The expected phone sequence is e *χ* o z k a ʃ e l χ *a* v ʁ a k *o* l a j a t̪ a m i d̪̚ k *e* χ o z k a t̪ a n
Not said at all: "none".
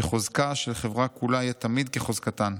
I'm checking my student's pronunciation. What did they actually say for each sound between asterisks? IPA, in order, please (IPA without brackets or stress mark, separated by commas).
χ, e, u, e